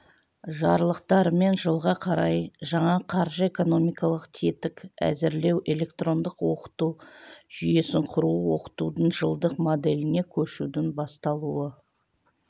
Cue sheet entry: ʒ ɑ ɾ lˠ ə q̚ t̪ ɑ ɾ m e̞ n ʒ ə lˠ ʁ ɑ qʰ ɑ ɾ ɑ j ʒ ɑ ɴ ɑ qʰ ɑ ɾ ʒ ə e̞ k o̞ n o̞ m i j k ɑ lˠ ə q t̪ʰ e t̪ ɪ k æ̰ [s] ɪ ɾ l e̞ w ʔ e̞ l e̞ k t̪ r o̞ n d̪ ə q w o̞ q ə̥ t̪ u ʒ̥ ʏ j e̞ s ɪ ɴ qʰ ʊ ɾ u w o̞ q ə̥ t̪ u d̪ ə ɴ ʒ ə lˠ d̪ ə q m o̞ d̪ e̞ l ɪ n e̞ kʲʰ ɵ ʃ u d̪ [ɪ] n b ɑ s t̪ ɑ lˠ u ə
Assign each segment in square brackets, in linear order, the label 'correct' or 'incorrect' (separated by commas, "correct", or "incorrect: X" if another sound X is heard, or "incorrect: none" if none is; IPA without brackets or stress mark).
incorrect: z, correct